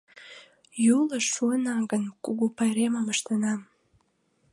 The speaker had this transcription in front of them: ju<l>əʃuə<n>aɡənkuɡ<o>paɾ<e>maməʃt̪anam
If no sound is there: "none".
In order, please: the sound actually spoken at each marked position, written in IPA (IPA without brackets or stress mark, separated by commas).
l, n, u, e